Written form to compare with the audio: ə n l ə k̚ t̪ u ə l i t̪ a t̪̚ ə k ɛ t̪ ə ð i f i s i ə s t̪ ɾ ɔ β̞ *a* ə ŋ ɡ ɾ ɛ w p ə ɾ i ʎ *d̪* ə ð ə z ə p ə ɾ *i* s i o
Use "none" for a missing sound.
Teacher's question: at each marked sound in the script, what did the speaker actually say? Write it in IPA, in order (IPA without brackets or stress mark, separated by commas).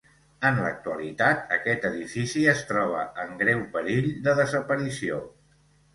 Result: ə, d̪, i